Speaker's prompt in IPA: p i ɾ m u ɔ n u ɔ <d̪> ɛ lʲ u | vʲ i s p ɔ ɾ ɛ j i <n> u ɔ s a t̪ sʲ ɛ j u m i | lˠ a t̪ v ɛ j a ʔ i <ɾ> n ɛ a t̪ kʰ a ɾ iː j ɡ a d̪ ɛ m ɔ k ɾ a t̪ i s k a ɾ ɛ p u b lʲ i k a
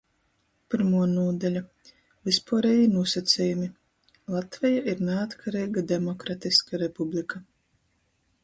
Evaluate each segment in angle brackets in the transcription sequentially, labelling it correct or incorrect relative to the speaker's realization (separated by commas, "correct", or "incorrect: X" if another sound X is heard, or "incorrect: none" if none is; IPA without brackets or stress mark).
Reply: correct, correct, correct